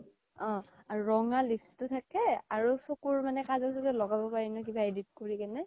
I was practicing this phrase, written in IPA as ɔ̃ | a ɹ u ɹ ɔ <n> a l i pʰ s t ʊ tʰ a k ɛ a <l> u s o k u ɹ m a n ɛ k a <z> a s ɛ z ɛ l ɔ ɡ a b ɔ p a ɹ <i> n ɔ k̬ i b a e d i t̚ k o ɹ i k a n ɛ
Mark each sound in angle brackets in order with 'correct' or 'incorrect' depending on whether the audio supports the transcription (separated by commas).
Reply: incorrect, incorrect, correct, correct